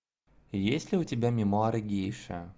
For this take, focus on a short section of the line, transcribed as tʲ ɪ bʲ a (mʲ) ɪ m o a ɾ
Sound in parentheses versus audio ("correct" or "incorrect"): correct